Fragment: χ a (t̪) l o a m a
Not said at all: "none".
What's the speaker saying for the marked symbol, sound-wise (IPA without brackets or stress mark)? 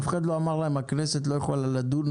d̪